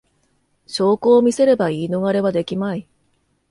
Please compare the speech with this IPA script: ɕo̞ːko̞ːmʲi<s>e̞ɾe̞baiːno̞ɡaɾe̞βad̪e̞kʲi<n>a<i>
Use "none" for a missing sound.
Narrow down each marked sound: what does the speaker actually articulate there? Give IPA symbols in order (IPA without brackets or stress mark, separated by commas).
s, m, i